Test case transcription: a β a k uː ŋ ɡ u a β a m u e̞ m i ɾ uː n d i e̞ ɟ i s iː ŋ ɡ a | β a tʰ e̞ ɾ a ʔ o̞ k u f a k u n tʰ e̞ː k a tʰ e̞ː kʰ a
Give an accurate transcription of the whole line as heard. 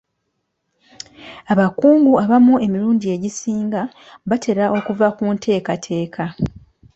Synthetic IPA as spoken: a β a k uː ŋ ɡ u a β a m u e̞ m i ɾ uː n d i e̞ ɟ i s iː ŋ ɡ a | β a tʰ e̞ ɾ a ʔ o̞ k u v a k u n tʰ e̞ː k a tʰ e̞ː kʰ a